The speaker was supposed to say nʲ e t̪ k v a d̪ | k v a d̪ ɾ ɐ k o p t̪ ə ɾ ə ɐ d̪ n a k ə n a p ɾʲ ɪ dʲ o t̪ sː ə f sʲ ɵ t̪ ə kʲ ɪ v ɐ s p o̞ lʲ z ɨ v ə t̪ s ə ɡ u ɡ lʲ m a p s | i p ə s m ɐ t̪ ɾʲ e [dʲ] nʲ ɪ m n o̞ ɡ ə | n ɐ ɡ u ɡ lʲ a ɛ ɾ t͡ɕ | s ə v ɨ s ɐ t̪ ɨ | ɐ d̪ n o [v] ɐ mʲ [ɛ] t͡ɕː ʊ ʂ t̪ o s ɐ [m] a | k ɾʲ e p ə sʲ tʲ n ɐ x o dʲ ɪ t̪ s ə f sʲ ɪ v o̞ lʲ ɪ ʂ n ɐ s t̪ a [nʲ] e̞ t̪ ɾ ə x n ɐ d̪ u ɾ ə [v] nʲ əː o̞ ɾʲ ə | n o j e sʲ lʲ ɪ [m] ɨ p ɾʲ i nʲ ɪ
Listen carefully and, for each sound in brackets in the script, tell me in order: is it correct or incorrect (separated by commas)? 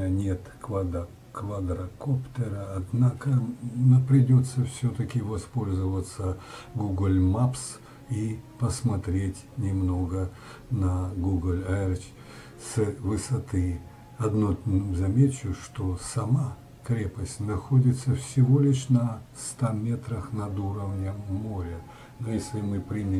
incorrect, incorrect, incorrect, correct, incorrect, correct, correct